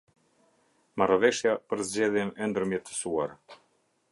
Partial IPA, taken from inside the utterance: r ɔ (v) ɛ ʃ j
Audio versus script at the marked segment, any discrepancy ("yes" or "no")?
no